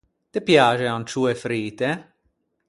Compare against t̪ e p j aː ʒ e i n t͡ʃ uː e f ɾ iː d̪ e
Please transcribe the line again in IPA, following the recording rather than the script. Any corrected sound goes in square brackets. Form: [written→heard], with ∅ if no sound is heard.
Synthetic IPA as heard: t̪ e p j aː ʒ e [i→a] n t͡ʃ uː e f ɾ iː [d̪→t̪] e